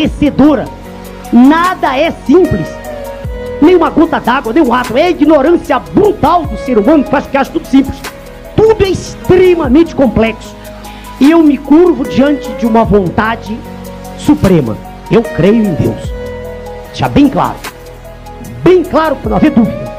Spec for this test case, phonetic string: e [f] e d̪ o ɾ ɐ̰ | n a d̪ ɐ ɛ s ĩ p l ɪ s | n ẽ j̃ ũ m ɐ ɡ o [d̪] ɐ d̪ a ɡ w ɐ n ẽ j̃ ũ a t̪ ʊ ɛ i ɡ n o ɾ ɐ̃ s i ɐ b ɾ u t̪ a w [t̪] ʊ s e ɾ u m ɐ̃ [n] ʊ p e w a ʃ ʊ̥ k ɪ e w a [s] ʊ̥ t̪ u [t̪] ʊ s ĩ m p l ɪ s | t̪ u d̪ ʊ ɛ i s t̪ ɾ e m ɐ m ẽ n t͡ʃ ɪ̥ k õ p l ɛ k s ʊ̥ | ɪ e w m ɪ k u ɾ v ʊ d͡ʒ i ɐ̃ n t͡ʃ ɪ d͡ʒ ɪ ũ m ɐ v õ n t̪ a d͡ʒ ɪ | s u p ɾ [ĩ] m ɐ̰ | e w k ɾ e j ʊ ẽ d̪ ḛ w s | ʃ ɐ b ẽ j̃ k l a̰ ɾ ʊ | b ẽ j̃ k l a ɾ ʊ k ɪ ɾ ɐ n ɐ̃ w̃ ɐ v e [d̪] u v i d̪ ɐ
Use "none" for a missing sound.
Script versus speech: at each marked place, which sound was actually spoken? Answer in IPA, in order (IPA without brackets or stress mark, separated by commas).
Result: s, t̪, d̪, n, ʃ, d̪, ẽ, d̪